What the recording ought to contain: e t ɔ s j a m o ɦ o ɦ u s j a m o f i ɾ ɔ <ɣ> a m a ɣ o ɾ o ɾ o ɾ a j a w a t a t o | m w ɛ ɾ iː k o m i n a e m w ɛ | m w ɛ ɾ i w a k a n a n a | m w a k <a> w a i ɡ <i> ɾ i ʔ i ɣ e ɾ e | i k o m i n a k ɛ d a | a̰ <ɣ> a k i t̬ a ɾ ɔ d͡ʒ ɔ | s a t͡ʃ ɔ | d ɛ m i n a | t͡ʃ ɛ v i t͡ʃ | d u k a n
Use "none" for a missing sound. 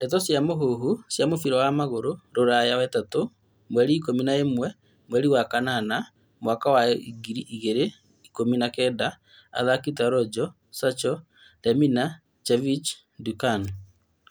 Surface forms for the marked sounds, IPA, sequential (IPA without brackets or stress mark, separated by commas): w, a, i, ð